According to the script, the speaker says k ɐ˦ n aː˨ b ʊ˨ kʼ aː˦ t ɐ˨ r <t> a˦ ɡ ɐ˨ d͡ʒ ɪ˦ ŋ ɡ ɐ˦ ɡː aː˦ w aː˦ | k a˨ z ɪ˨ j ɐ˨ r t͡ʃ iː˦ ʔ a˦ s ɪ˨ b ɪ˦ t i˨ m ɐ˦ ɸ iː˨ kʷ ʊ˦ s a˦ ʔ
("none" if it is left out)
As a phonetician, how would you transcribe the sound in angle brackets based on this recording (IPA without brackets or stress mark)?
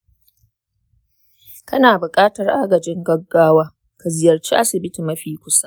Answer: ʔ